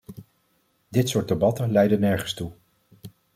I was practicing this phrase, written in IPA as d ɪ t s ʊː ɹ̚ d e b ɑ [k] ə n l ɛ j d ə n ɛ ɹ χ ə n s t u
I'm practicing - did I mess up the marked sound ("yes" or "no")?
yes